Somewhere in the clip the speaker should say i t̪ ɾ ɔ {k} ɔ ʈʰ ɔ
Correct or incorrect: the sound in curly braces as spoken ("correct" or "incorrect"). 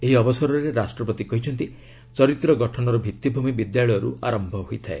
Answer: incorrect